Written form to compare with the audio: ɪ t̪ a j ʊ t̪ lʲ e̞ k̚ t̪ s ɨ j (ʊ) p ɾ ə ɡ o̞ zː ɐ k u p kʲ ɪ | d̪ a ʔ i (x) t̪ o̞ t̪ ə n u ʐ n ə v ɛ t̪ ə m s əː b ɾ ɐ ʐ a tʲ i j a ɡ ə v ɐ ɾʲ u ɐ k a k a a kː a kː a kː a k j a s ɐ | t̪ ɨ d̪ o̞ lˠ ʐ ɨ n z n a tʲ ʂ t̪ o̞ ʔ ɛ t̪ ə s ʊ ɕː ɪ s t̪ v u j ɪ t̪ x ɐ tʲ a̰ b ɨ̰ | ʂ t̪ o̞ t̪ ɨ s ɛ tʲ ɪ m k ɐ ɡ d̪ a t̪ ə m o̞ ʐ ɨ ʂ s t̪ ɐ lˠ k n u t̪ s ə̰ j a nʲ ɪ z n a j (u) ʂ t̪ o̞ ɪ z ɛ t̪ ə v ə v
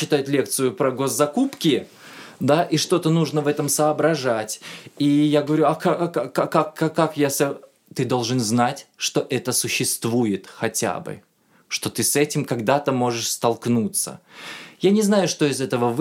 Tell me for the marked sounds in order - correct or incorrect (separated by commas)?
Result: correct, incorrect, incorrect